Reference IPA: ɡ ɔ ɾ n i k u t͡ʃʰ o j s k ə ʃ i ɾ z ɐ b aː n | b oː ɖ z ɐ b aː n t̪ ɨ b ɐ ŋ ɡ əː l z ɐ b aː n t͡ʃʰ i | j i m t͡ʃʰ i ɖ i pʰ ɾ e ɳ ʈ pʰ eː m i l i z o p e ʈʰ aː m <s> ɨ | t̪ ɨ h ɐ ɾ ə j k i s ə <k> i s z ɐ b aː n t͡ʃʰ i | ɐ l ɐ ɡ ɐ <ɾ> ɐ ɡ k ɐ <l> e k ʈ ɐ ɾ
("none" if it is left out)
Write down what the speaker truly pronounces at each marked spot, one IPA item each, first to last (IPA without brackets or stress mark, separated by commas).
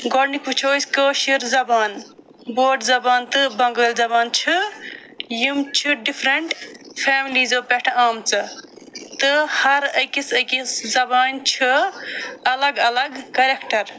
t͡s, k, l, ɾ